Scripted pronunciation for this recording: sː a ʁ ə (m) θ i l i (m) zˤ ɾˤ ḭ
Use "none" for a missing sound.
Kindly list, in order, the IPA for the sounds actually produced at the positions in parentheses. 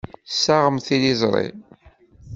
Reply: m, none

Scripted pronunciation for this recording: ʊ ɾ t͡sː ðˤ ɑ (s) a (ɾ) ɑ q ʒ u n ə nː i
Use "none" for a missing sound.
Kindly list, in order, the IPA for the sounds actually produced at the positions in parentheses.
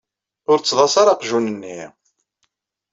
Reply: s, ɾ

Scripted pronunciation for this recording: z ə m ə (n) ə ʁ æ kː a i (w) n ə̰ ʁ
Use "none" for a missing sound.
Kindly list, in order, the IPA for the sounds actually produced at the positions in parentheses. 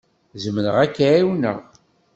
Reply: n, w

